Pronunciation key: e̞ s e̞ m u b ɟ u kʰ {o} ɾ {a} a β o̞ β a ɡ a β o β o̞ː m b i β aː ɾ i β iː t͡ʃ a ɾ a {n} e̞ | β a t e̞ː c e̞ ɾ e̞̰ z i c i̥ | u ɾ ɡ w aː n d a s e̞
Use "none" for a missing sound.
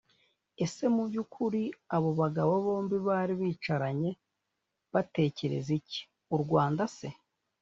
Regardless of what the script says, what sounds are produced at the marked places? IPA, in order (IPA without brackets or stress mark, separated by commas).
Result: u, i, ɲ